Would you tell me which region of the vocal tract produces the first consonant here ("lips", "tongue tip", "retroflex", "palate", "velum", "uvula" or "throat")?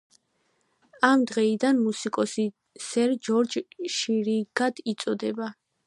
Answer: lips